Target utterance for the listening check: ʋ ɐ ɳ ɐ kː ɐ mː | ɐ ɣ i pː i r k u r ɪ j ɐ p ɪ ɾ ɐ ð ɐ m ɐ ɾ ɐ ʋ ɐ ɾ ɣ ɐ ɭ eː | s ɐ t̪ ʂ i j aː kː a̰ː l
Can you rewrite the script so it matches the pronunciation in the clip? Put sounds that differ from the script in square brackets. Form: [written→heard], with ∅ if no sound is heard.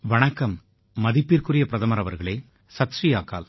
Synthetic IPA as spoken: ʋ ɐ ɳ ɐ kː ɐ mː | ɐ [ɣ→ð] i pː i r k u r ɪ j ɐ p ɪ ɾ ɐ ð ɐ m ɐ ɾ ɐ ʋ ɐ ɾ ɣ ɐ ɭ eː | s ɐ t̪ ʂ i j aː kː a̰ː l

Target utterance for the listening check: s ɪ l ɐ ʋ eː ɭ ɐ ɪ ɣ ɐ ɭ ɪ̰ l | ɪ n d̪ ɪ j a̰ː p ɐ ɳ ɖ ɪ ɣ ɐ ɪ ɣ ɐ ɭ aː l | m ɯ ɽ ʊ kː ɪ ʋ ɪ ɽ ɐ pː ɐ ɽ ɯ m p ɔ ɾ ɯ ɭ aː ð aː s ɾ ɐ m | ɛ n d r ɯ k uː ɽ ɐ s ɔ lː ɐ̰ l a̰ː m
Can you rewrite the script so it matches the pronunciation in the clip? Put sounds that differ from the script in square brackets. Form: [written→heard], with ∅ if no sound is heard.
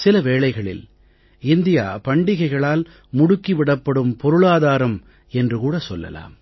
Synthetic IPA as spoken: s ɪ l ɐ ʋ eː ɭ ɐ ɪ ɣ ɐ ɭ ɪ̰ l | ɪ n d̪ ɪ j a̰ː p ɐ ɳ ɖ ɪ ɣ ɐ ɪ ɣ ɐ ɭ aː l | m [ɯ→ʊ] ɽ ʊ kː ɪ ʋ ɪ ɽ ɐ pː ɐ ɽ ɯ m p ɔ ɾ ɯ ɭ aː ð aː [s→∅] ɾ ɐ m | ɛ n d r ɯ k uː ɽ ɐ s ɔ lː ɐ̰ l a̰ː m

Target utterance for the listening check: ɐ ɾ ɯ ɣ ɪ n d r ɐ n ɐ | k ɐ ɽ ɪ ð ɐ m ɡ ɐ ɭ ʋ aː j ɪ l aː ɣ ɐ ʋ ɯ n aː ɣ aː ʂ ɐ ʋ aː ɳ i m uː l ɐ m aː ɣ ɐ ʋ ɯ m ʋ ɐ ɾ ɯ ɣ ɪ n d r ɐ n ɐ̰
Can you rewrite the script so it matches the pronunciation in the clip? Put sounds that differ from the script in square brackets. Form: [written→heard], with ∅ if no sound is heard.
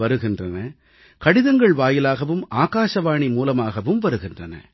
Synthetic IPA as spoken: ɐ ɾ ɯ ɣ ɪ n d r ɐ n ɐ | k ɐ ɽ ɪ ð ɐ [m→ŋ] ɡ ɐ ɭ ʋ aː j ɪ l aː ɣ ɐ ʋ ɯ [n→m] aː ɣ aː ʂ ɐ ʋ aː ɳ i m uː l ɐ m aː ɣ ɐ ʋ ɯ m ʋ ɐ ɾ ɯ ɣ ɪ n d r ɐ n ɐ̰

